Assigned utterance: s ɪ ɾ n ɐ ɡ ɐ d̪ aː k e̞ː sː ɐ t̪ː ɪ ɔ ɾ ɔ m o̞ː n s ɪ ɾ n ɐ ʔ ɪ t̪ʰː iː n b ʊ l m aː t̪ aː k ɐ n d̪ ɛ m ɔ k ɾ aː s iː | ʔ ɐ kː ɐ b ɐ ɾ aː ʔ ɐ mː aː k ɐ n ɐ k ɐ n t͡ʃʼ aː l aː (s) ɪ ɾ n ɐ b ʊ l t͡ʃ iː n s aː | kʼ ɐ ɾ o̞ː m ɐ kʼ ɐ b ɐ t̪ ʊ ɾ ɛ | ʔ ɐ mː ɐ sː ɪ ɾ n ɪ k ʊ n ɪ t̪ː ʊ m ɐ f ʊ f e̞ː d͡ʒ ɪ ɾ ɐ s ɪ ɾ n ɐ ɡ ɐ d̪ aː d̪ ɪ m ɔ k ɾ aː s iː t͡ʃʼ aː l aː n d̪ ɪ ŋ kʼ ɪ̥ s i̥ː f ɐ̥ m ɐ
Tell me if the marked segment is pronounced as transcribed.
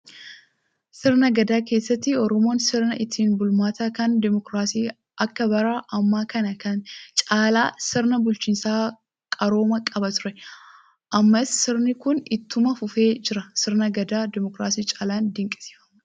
yes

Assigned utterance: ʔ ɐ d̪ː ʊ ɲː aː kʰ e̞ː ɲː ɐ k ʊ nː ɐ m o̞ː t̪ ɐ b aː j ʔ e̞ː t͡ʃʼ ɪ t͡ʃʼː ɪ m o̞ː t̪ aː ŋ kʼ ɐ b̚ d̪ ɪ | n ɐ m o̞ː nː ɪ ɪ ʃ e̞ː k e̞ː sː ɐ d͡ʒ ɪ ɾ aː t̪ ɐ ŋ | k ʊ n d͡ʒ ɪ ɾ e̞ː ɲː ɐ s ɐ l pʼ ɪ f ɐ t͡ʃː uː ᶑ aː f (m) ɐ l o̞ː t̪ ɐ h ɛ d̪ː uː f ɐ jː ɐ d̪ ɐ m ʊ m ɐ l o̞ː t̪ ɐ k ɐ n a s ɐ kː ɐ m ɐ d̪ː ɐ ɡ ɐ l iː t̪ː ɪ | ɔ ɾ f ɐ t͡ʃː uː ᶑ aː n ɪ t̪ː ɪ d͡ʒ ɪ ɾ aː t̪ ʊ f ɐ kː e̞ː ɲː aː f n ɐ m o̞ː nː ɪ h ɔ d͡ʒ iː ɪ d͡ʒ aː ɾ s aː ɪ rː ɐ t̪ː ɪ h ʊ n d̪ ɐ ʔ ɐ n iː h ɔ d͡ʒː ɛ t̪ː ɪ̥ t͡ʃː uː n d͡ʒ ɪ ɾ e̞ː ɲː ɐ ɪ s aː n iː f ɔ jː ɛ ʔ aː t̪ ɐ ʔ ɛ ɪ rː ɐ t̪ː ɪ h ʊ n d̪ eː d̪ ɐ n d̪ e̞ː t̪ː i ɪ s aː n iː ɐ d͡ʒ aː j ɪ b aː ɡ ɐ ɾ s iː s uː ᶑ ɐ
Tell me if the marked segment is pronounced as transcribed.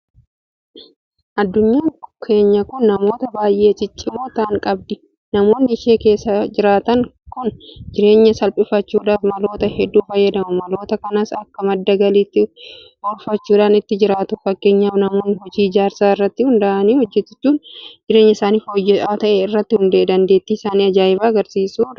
yes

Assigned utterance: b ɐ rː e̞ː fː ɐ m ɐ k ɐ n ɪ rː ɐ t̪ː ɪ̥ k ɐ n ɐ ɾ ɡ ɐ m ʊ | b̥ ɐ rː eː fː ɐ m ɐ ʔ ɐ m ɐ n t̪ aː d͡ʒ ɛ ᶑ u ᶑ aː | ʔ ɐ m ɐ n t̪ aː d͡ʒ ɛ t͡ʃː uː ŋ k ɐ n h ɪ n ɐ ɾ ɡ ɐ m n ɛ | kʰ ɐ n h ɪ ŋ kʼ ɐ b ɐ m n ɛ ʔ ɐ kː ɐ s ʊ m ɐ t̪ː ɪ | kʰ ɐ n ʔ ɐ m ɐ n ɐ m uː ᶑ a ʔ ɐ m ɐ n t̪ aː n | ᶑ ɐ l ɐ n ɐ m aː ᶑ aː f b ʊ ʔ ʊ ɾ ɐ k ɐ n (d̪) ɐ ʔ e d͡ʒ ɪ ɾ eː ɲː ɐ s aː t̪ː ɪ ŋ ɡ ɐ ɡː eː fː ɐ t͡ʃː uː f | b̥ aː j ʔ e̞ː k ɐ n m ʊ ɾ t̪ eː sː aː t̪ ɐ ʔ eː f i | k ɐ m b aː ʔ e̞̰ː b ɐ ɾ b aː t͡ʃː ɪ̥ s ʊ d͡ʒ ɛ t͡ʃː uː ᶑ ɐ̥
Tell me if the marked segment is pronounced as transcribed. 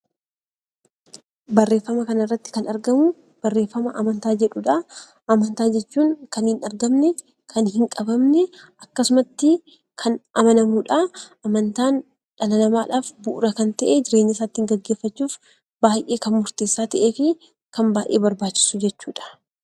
no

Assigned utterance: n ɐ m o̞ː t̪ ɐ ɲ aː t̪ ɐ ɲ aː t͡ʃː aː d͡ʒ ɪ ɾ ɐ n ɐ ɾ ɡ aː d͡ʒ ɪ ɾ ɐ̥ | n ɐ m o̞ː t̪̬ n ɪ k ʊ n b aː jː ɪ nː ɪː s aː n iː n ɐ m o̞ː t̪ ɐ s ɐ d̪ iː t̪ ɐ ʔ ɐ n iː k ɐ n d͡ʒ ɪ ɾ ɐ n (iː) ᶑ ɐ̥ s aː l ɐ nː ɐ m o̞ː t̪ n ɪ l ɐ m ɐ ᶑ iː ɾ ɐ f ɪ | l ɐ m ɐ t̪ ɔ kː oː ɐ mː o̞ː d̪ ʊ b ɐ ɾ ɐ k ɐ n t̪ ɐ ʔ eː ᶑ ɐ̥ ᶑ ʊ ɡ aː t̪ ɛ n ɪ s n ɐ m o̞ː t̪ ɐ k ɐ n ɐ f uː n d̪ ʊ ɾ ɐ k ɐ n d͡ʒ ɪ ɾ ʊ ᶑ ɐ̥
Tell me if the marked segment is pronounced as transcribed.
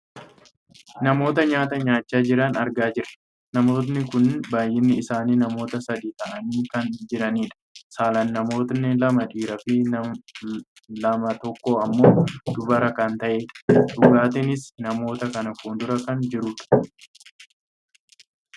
yes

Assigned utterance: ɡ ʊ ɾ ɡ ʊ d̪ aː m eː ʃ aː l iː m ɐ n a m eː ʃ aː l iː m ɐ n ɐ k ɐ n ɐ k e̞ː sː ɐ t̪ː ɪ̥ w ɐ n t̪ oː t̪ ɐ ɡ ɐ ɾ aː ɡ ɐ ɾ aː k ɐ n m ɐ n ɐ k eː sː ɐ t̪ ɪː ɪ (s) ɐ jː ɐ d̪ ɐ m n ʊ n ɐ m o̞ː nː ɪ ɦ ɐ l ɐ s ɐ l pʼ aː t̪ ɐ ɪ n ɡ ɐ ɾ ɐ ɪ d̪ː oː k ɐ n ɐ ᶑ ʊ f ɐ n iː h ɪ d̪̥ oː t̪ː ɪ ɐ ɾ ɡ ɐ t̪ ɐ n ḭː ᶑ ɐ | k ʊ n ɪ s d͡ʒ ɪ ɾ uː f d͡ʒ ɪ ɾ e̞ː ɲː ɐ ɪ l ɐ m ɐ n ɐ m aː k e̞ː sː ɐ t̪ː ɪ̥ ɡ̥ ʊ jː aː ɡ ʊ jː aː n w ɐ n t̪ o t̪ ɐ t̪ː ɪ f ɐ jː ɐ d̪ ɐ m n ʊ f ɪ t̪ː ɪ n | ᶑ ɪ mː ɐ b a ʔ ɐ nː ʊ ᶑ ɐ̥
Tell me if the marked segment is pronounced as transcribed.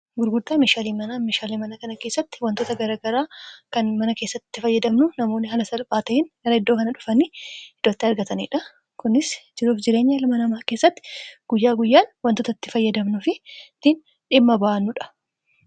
no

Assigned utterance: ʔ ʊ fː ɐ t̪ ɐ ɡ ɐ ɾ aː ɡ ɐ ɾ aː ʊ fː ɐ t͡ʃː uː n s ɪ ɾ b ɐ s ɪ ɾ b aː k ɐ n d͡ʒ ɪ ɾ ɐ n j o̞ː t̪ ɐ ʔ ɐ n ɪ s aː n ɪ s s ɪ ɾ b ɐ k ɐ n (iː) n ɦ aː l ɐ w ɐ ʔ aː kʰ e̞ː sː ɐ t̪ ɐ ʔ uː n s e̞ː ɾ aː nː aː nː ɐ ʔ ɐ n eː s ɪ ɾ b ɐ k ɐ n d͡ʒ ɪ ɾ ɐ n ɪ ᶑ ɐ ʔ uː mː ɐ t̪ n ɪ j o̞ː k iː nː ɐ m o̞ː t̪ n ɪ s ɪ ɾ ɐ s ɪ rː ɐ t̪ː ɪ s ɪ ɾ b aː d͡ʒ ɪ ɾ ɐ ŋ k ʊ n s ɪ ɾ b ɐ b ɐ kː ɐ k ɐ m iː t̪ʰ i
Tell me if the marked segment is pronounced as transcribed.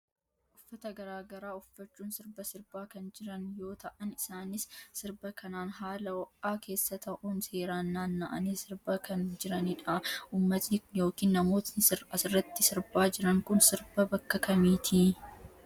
no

